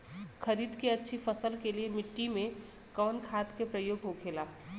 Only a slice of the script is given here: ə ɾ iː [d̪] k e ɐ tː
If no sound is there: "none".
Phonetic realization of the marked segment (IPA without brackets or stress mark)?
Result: d̪